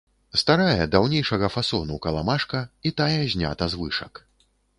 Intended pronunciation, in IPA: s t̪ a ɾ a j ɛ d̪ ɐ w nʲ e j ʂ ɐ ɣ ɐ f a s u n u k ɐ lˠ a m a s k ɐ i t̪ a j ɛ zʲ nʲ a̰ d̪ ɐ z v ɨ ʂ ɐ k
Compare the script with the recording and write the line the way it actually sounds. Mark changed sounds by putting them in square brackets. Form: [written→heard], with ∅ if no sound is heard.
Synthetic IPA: s t̪ a ɾ a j ɛ d̪ [ɐ→a] w nʲ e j ʂ ɐ ɣ ɐ f a s [u→ɔ] n u k ɐ lˠ a m a [s→ʂ] k ɐ i t̪ a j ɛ zʲ nʲ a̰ [d̪→t̪] ɐ z v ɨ ʂ ɐ k